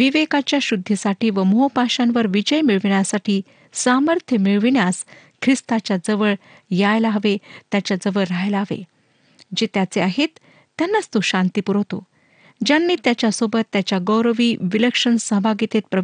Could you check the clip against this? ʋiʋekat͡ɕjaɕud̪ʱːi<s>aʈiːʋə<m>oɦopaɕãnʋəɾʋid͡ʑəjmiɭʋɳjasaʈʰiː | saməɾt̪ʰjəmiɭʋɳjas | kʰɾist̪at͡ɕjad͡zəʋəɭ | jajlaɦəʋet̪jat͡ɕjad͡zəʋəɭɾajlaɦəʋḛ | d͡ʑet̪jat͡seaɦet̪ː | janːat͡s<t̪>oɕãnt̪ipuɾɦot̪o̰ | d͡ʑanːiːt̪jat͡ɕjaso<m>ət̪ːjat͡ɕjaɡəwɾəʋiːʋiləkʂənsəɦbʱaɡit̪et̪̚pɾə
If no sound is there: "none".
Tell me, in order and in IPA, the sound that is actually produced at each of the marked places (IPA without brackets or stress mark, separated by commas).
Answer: s, m, t̪, b